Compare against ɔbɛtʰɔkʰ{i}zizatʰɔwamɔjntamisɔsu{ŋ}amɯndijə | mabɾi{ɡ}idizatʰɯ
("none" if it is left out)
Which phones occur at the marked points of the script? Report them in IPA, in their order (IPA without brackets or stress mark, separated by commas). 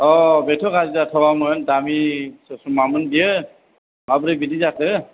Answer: a, m, b